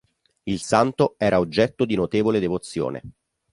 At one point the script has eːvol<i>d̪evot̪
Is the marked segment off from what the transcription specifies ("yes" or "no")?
yes